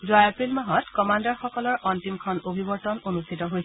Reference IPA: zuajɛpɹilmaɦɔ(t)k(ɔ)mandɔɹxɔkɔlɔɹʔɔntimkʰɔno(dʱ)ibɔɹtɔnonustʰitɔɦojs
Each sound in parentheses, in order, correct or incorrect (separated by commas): correct, correct, incorrect